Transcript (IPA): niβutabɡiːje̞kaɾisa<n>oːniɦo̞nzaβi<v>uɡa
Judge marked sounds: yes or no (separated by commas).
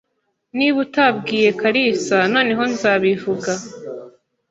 yes, yes